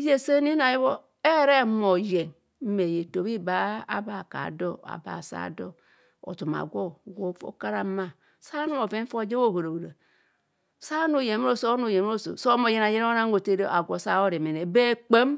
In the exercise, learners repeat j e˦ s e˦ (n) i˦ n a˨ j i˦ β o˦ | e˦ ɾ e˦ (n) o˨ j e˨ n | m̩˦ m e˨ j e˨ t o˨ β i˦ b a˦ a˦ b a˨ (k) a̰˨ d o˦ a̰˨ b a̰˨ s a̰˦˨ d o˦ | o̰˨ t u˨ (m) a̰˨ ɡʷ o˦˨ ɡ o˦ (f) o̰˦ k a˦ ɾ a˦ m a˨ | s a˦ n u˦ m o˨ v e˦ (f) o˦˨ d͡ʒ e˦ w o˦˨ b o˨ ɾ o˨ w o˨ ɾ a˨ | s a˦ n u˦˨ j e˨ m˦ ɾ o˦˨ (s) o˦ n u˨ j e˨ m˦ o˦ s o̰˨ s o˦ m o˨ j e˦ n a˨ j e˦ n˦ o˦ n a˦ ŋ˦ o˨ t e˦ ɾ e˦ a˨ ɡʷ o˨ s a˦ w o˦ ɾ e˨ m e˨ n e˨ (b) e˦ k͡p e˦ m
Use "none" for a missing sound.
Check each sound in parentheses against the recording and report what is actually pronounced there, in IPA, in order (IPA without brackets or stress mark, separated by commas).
n, m, k, m, f, f, s, b